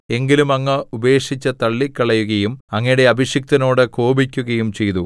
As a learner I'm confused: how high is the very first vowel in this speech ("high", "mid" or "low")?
mid